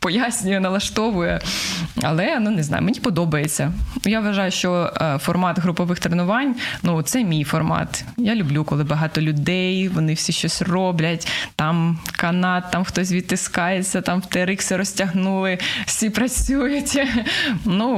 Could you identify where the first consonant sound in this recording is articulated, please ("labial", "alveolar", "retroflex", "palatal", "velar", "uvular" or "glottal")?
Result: labial